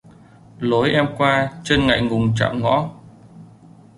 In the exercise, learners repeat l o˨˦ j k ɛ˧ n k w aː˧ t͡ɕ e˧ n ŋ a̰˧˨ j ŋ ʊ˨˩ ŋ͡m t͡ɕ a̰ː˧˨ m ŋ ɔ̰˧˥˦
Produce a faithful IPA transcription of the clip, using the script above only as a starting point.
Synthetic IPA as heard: l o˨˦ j ʔ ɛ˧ m k w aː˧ t͡ɕ e˧ n ŋ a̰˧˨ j ŋ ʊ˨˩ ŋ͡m t͡ɕ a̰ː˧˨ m ŋ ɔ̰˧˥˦